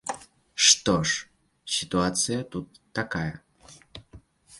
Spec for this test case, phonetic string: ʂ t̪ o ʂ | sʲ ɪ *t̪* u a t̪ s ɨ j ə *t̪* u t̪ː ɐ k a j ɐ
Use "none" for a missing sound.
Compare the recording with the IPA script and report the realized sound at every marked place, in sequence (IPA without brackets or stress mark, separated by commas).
t̪, t̪